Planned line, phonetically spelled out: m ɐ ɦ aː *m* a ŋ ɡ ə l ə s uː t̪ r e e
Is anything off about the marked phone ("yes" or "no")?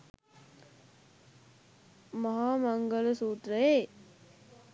no